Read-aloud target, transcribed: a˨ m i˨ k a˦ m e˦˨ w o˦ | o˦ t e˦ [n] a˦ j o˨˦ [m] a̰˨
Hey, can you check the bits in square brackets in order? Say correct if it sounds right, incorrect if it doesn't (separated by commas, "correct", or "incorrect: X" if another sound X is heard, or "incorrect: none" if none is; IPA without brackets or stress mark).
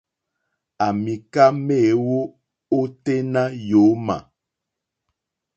correct, correct